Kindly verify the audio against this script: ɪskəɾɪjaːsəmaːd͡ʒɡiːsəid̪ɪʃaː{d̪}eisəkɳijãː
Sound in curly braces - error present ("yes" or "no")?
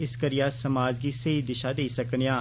no